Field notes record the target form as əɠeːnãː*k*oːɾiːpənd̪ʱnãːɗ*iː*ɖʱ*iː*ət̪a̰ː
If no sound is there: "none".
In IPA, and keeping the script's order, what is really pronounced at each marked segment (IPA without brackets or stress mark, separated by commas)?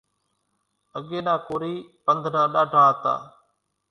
k, aː, aː